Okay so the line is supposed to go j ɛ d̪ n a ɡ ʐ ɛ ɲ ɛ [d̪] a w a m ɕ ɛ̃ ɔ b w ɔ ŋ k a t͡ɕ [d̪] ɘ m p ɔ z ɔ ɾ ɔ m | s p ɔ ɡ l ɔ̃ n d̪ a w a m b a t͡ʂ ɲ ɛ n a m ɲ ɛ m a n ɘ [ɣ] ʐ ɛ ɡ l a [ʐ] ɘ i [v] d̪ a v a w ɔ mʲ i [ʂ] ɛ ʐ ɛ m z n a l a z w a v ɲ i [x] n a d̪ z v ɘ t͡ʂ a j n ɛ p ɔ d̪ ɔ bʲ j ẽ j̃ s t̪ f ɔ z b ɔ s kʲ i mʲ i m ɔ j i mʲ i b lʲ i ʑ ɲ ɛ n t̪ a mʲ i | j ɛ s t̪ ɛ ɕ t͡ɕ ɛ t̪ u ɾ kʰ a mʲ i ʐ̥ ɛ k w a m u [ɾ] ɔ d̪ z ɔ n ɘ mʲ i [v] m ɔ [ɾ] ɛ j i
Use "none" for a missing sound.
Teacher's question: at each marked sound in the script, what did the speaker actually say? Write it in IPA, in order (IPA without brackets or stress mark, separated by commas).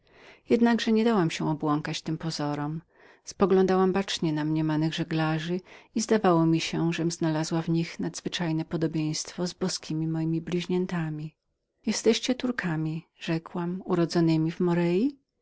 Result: d̪, t̪, ɣ, ʐ, z, ɕ, x, ɾ, v, ɾ